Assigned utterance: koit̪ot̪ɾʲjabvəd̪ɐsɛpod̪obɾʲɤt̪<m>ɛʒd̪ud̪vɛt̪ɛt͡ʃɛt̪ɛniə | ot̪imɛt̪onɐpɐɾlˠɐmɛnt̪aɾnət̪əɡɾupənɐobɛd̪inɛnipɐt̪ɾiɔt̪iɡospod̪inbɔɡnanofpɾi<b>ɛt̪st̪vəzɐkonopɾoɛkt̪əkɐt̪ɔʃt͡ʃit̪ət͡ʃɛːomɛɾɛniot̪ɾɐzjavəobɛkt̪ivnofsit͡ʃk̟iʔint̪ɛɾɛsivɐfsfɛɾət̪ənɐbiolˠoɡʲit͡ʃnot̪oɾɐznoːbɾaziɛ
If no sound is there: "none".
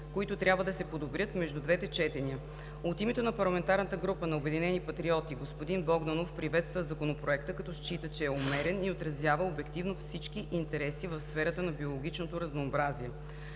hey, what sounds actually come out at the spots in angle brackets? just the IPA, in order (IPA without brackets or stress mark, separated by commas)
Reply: m, v